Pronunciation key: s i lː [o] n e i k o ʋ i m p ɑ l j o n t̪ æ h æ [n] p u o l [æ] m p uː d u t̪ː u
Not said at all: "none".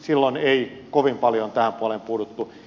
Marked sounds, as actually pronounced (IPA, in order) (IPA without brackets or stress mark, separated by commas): o, m, e